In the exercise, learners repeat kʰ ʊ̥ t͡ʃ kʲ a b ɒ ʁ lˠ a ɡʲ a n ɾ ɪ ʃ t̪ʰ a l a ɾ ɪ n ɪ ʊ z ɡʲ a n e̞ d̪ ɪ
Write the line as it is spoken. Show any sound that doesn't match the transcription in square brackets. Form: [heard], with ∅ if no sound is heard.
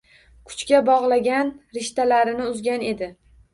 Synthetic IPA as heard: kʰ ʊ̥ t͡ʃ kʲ a b ɒ ʁ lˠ a ɡʲ a n ɾ ɪ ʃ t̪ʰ a l a ɾ ɪ n ɪ ʊ z ɡʲ a n e̞ d̪ ɪ

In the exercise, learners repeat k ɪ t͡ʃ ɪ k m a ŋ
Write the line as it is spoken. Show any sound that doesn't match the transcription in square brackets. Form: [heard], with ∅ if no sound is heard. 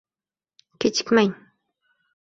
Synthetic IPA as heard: k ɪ t͡ʃ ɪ k m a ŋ

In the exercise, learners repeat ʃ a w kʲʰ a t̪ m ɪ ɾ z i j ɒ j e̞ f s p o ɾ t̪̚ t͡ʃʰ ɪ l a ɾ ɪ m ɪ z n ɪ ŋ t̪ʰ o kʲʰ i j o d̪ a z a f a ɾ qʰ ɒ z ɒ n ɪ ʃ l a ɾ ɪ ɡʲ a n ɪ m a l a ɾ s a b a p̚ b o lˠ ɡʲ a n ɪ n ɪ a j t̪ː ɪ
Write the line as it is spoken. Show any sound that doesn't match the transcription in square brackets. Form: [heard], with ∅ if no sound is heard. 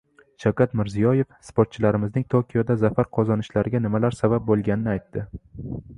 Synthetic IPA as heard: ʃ a w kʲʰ a t̪ m ɪ ɾ z i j ɒ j e̞ f s p o ɾ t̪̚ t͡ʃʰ ɪ l a ɾ ɪ m ɪ z n ɪ ŋ t̪ʰ o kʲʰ i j o d̪ a z a f a ɾ qʰ ɒ z ɒ n ɪ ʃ l a ɾ ɪ ɡʲ a n ɪ m a l a ɾ s a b a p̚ b o lˠ ɡʲ a n ɪ n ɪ a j t̪ː ɪ

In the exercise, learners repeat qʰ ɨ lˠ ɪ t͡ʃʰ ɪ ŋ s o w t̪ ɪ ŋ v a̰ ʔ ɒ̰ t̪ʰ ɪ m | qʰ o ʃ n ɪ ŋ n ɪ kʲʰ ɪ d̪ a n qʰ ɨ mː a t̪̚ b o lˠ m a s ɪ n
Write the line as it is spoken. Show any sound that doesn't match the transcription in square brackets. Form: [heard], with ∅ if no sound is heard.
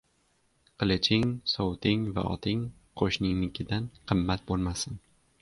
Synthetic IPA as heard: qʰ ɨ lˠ ɪ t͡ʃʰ ɪ ŋ s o w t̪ ɪ ŋ v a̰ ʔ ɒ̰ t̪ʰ ɪ [ŋ] | qʰ o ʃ n ɪ ŋ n ɪ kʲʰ ɪ d̪ a n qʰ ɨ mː a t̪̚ b o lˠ m a s ɪ n

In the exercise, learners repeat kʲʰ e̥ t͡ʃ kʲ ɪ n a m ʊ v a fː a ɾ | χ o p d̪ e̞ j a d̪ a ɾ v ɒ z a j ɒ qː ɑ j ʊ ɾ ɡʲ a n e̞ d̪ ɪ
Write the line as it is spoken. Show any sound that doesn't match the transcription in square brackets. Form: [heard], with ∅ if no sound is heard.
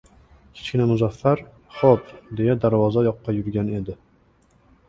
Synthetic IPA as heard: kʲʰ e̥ t͡ʃ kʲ ɪ n a m ʊ [z] a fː a ɾ | χ o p d̪ e̞ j a d̪ a ɾ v ɒ z a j ɒ qː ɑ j ʊ ɾ ɡʲ a n e̞ d̪ ɪ

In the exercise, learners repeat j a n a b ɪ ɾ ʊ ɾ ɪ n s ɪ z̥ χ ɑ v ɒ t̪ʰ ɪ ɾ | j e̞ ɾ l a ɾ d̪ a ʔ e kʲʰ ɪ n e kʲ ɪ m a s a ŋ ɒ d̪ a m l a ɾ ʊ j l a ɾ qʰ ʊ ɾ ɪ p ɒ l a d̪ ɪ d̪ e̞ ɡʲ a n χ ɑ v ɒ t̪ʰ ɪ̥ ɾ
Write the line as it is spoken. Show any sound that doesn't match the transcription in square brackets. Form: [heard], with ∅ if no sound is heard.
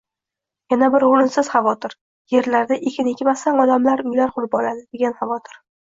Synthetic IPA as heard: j a n a b ɪ ɾ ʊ ɾ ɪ n s ɪ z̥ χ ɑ v ɒ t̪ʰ ɪ ɾ | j e̞ ɾ l a ɾ d̪ a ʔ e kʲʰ ɪ n e kʲ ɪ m a s a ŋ ɒ d̪ a m l a ɾ ʊ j l a ɾ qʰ ʊ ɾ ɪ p ɒ l a d̪ ɪ d̪ e̞ ɡʲ a n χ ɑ v ɒ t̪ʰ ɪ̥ ɾ

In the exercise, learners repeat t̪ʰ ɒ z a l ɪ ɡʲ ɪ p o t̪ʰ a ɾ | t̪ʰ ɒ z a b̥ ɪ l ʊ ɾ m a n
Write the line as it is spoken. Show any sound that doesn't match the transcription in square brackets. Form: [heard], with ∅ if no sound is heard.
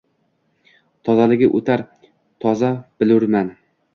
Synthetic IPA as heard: t̪ʰ ɒ z a l ɪ ɡʲ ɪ [ʔ] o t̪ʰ a ɾ | t̪ʰ ɒ z a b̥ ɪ l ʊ ɾ m a n

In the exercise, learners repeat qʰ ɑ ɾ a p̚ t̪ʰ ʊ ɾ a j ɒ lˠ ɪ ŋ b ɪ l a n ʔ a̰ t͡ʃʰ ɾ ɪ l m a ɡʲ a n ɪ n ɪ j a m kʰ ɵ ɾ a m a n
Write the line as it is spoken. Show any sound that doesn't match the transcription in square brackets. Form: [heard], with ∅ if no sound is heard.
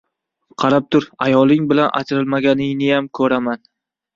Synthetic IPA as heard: qʰ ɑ ɾ a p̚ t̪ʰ ʊ ɾ a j ɒ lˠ ɪ ŋ b ɪ l a n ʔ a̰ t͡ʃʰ ɾ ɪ l m a ɡʲ a n ɪ n ɪ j a m kʰ ɵ ɾ a m a n

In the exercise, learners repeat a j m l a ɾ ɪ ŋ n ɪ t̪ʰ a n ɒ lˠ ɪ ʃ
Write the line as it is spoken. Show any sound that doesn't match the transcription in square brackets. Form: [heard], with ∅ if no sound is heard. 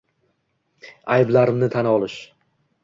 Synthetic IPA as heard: a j [b] l a ɾ ɪ [m] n ɪ t̪ʰ a n ɒ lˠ ɪ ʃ

